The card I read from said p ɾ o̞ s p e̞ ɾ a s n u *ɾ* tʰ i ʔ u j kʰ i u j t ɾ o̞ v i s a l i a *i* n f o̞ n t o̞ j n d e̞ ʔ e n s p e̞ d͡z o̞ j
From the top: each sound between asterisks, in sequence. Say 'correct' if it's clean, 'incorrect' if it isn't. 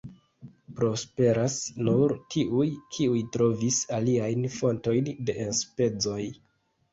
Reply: correct, incorrect: j

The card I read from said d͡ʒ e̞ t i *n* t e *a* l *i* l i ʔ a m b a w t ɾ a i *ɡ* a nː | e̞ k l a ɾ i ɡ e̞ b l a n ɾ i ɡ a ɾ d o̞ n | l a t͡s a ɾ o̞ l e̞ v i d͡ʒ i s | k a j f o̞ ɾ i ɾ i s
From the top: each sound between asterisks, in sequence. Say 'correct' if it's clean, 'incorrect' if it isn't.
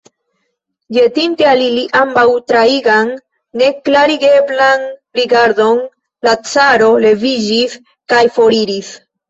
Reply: correct, correct, correct, correct

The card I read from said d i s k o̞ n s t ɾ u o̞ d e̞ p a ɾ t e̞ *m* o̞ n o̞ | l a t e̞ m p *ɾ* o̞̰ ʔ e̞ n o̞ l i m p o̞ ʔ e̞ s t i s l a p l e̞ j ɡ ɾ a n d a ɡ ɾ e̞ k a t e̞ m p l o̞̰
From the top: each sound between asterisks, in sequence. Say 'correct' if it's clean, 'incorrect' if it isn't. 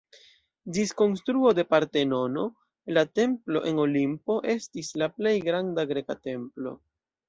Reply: incorrect: n, incorrect: l

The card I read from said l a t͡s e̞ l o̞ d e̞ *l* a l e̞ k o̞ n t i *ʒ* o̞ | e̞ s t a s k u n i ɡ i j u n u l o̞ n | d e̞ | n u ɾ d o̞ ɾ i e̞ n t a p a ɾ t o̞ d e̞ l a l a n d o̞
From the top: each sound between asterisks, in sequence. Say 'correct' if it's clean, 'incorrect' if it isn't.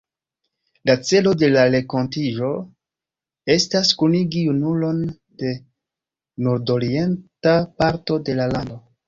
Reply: correct, correct

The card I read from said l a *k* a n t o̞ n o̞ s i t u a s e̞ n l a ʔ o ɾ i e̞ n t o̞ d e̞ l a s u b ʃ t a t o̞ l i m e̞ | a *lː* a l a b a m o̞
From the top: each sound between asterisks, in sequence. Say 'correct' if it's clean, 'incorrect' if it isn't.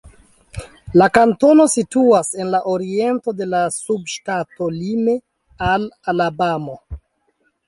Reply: correct, incorrect: l

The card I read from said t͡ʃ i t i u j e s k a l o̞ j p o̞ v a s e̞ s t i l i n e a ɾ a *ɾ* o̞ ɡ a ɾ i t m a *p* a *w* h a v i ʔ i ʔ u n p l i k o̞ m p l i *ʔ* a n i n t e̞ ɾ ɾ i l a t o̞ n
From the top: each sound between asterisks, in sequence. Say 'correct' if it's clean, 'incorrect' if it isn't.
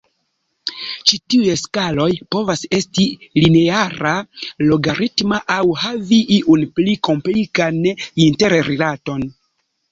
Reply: incorrect: l, incorrect: ʔ, correct, incorrect: k

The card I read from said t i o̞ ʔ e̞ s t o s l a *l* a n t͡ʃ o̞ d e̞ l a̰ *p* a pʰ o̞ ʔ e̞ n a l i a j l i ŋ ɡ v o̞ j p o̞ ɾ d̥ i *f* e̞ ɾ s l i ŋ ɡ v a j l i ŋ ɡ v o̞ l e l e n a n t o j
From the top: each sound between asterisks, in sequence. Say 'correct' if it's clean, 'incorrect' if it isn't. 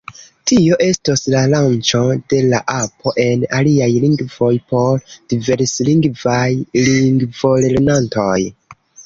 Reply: correct, incorrect: ʔ, incorrect: v

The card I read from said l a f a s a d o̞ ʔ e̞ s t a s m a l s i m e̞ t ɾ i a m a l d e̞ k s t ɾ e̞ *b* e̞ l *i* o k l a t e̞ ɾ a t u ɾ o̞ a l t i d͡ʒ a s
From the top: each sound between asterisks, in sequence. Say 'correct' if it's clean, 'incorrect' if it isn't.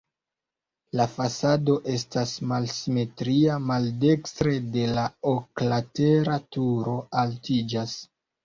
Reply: incorrect: d, incorrect: a

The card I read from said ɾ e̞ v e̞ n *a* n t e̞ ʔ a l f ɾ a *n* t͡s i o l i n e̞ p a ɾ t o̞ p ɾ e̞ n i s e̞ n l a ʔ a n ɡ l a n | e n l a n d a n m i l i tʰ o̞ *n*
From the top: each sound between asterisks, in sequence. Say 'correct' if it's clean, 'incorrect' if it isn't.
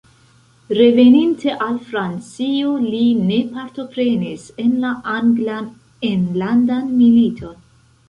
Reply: incorrect: i, correct, correct

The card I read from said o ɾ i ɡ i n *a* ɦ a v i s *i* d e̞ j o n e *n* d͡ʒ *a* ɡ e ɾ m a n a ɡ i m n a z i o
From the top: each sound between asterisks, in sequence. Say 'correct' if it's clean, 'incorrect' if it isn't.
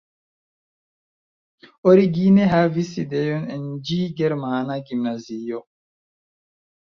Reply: incorrect: e, correct, correct, incorrect: i

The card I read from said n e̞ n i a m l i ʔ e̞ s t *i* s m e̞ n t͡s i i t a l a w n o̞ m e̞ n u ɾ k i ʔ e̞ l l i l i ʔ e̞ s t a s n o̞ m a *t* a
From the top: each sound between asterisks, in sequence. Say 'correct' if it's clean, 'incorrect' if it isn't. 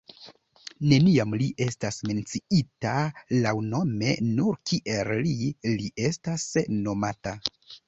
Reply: incorrect: a, correct

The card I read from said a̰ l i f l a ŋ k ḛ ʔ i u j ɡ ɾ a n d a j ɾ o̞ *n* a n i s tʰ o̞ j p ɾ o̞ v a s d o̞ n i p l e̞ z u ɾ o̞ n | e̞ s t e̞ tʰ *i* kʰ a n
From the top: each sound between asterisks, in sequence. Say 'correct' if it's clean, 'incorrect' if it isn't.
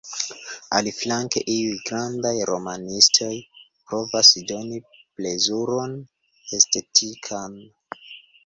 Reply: incorrect: m, correct

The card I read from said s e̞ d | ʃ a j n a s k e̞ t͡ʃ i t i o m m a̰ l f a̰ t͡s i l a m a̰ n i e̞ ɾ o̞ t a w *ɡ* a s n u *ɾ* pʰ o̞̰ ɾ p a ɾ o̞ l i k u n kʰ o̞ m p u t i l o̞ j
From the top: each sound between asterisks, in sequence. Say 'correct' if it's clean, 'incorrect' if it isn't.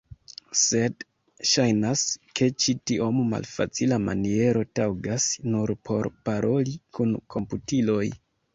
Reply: correct, correct

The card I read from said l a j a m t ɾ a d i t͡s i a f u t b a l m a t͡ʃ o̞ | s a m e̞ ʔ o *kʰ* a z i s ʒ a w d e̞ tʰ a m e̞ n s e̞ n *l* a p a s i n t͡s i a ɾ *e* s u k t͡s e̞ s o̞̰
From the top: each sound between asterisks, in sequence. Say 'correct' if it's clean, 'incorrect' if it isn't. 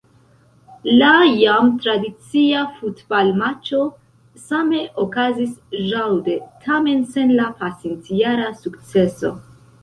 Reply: incorrect: k, correct, incorrect: a

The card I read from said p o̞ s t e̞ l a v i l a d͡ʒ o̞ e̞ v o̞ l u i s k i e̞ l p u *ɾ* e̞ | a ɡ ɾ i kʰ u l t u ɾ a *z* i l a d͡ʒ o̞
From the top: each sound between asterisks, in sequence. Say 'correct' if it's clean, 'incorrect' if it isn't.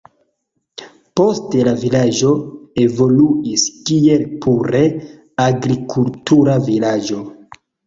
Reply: correct, incorrect: v

